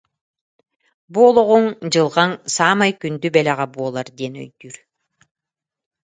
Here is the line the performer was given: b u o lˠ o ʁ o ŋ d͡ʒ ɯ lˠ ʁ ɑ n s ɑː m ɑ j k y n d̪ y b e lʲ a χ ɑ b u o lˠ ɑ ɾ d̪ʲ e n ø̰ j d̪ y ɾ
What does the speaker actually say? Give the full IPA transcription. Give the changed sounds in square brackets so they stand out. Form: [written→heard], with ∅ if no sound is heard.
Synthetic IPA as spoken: b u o lˠ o ʁ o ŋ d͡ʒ ɯ lˠ ʁ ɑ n s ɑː m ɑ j k y n d̪ y b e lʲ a [χ→ʁ] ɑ b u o lˠ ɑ ɾ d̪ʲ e n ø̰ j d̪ y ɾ